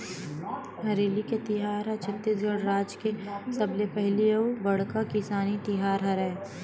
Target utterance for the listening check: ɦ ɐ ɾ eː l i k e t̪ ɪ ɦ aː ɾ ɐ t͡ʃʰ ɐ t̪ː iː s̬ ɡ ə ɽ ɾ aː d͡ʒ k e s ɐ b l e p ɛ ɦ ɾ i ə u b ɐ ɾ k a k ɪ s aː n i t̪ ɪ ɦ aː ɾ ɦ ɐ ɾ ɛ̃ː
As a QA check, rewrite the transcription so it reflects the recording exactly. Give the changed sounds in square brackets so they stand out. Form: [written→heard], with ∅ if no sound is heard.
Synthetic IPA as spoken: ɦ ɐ ɾ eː l i k e t̪ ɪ ɦ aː ɾ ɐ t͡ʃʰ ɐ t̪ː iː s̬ ɡ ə ɽ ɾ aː d͡ʒ k e s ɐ b l e p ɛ ɦ [ɾ→l] i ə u b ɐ [ɾ→ɽ] k a k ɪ s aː n i t̪ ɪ ɦ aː ɾ ɦ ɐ ɾ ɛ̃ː